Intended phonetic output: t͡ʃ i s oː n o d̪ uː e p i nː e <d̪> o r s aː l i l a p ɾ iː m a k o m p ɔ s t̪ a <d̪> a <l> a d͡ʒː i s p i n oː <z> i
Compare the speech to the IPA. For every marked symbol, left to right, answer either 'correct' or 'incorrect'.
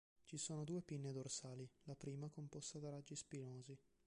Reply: correct, correct, incorrect: ɾ, correct

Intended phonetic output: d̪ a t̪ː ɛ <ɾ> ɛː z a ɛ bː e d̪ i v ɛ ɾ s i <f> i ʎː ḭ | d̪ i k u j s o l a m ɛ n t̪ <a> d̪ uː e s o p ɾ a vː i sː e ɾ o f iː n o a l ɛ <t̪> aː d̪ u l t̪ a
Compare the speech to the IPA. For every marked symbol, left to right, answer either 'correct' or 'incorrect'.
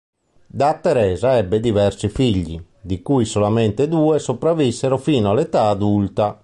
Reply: correct, correct, incorrect: e, correct

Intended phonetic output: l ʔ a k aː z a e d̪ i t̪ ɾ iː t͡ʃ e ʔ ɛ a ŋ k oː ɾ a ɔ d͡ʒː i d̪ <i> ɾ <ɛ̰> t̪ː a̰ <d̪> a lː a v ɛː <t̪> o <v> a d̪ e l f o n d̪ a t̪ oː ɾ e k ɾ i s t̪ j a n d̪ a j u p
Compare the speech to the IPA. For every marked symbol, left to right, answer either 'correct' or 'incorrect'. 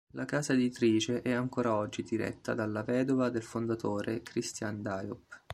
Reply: correct, correct, correct, incorrect: d̪, correct

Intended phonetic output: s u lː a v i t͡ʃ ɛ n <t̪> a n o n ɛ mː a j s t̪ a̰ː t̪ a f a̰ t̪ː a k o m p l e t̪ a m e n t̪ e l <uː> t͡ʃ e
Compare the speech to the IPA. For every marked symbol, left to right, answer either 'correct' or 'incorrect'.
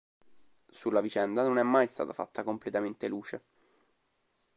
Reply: incorrect: d̪, correct

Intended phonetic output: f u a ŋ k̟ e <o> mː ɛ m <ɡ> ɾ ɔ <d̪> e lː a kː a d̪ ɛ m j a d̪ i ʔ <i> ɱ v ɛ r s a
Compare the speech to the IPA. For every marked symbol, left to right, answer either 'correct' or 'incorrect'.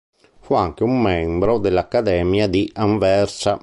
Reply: incorrect: u, incorrect: b, correct, incorrect: a

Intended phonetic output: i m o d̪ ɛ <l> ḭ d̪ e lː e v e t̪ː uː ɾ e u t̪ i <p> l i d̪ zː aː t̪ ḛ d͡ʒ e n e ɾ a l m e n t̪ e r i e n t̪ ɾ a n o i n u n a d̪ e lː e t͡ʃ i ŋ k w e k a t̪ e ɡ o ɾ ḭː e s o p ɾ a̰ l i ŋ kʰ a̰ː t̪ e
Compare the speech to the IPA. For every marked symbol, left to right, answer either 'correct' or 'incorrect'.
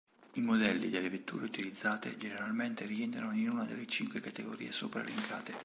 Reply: incorrect: lː, incorrect: none

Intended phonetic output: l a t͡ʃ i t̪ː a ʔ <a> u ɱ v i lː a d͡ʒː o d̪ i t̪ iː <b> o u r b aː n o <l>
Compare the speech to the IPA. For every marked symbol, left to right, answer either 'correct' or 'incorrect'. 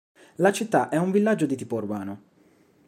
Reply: incorrect: ɛ, incorrect: p, incorrect: none

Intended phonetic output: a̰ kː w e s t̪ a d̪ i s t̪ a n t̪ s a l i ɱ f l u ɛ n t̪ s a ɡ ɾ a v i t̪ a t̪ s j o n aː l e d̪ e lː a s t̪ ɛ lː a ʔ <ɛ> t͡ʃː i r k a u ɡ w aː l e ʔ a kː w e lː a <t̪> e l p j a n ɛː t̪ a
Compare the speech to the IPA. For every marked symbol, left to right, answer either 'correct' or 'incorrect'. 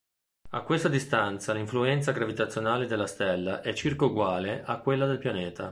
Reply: correct, incorrect: d̪

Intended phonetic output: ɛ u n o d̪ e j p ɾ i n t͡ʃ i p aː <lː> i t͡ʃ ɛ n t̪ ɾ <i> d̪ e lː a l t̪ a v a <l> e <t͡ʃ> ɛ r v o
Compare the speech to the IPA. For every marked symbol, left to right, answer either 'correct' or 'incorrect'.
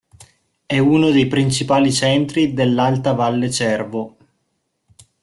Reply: incorrect: l, correct, incorrect: lː, correct

